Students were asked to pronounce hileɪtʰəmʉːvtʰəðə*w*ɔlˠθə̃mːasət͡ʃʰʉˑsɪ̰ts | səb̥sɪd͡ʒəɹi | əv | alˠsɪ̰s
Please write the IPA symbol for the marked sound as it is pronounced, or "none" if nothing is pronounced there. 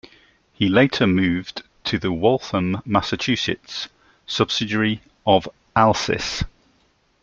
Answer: w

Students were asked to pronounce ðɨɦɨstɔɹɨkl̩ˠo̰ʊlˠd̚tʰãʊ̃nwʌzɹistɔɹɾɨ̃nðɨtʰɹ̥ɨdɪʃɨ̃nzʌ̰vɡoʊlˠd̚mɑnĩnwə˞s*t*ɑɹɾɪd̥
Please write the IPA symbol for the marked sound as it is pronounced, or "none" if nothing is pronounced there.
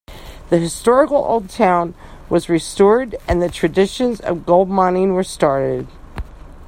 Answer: t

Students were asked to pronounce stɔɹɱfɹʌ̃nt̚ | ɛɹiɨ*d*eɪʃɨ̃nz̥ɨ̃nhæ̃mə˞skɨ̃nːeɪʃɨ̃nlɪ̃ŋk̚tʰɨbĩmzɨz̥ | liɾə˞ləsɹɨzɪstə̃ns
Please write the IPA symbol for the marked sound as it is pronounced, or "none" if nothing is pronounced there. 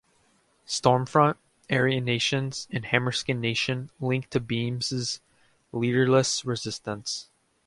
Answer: n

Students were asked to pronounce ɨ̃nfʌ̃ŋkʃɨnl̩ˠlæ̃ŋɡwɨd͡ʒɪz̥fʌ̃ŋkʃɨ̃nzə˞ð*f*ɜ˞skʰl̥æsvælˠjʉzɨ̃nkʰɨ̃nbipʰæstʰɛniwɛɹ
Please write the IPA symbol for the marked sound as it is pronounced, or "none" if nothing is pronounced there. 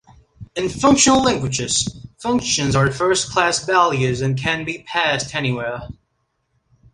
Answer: f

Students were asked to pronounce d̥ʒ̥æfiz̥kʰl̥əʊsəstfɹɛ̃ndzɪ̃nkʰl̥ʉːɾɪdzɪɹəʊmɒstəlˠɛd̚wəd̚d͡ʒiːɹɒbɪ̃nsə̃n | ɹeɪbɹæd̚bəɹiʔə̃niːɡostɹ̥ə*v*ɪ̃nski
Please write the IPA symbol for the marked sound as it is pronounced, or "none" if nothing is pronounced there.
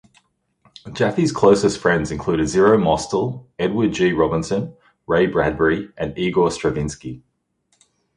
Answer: v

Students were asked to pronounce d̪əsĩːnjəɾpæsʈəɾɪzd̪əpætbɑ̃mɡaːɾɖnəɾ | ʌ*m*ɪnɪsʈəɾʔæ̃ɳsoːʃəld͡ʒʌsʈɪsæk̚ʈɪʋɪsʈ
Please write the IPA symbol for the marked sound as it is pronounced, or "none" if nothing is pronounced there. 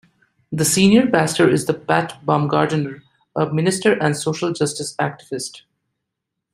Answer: m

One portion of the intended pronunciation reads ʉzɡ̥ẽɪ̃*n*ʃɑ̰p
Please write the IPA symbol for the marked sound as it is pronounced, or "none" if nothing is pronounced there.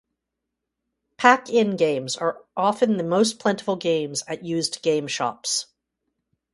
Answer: m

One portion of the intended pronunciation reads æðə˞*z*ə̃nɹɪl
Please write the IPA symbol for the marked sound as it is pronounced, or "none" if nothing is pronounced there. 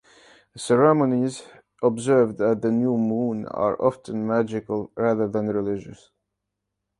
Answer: ð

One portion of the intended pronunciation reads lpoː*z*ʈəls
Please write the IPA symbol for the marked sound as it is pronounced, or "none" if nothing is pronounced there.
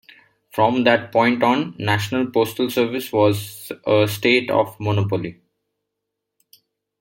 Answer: s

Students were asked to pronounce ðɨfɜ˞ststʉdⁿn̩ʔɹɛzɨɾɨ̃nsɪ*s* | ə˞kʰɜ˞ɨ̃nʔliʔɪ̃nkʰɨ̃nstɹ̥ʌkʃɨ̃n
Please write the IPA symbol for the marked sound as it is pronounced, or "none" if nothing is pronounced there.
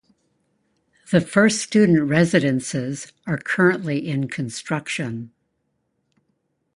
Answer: z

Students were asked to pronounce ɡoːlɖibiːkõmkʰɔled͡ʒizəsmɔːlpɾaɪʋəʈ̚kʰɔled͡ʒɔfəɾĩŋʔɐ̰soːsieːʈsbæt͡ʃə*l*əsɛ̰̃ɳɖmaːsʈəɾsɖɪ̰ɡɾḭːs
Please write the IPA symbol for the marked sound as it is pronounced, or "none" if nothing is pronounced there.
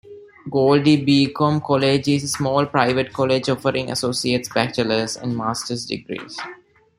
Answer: l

